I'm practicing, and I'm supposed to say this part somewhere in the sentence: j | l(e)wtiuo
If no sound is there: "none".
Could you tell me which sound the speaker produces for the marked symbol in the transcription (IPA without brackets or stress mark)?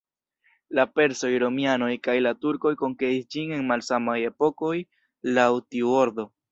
a